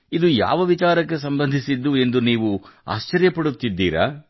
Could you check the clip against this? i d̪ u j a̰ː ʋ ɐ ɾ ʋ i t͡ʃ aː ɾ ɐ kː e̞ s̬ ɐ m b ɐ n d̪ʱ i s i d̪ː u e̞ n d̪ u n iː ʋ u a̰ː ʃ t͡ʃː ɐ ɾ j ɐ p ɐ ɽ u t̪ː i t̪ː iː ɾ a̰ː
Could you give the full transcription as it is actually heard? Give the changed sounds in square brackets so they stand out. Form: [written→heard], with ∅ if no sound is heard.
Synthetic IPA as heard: i d̪ u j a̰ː ʋ ɐ [ɾ→∅] ʋ i t͡ʃ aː ɾ ɐ kː e̞ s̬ ɐ m b ɐ n d̪ʱ i s i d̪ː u e̞ n d̪ u n iː ʋ u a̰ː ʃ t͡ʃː ɐ ɾ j ɐ p ɐ ɽ u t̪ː i [t̪ː→d̪ː] iː ɾ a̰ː